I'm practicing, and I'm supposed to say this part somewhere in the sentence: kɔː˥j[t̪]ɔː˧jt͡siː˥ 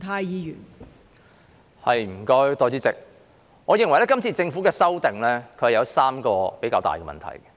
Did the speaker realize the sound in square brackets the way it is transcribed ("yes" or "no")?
yes